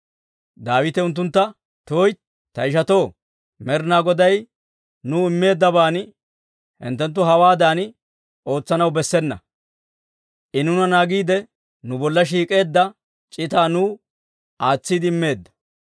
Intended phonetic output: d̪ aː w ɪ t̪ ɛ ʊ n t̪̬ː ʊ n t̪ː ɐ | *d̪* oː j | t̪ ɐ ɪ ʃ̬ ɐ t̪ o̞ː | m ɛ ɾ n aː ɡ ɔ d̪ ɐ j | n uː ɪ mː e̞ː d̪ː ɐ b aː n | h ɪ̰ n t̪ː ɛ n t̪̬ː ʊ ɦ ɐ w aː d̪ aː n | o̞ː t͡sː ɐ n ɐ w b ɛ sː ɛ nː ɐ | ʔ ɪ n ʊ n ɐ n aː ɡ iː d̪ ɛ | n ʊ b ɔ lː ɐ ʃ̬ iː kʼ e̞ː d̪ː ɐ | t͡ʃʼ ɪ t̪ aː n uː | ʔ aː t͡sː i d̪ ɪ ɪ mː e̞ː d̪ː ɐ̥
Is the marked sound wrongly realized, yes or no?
yes